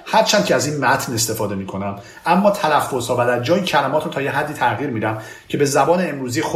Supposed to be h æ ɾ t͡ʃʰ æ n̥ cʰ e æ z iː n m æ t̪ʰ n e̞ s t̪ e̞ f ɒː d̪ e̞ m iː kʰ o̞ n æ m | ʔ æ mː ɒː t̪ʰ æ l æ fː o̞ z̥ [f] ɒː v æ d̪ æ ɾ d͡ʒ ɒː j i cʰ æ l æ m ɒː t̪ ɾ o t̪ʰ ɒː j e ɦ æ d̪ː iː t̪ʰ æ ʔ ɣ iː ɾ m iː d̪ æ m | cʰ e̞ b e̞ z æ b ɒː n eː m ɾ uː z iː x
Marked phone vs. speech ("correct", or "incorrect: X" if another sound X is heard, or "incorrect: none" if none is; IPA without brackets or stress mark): incorrect: h